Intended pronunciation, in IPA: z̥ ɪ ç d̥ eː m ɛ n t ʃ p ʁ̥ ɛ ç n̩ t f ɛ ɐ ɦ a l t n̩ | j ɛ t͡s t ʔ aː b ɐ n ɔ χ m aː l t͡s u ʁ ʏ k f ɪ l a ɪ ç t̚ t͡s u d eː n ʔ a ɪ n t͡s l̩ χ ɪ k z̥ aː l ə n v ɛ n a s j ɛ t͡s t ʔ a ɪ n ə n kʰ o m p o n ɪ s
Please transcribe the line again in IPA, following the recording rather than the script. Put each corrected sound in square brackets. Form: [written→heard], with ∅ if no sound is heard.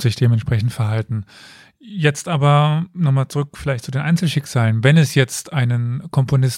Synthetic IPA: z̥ ɪ ç d̥ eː m ɛ n t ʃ p ʁ̥ ɛ ç n̩ t f ɛ ɐ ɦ a l t n̩ | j ɛ t͡s t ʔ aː b ɐ n ɔ χ m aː l t͡s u ʁ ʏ k f ɪ l a ɪ ç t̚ t͡s u d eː n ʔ a ɪ n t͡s l̩ [χ→ʃ] ɪ k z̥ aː l ə n v ɛ n [a→ɛ] s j ɛ t͡s t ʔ a ɪ n ə n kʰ [o→ɔ] m p o n ɪ s